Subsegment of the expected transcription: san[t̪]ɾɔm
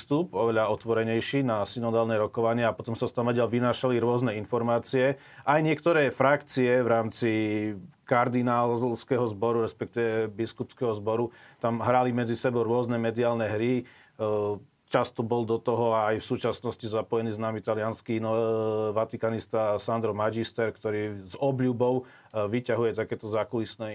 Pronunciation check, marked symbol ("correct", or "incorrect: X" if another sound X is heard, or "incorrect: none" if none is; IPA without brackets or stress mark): incorrect: d̪